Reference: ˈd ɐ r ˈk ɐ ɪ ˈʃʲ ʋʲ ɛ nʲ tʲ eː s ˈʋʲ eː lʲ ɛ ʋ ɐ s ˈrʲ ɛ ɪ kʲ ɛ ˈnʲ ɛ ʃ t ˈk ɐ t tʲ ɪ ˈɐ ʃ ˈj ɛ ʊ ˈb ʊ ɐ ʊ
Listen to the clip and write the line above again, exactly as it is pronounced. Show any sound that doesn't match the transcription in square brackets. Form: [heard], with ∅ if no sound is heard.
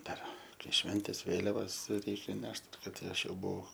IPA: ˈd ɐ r ˈk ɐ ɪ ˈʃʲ ʋʲ ɛ nʲ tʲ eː s ˈʋʲ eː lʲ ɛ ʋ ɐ s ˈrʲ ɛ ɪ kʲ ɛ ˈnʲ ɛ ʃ t ˈk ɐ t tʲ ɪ ˈɐ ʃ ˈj ɛ ʊ ˈb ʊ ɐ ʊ